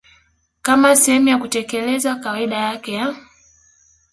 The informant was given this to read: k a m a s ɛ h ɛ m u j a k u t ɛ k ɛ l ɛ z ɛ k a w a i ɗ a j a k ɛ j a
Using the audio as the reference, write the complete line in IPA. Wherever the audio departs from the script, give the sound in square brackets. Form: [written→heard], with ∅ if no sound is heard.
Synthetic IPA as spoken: k a m a s ɛ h ɛ m u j a k u t ɛ k ɛ l ɛ z [ɛ→a] k a w a i ɗ a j a k ɛ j a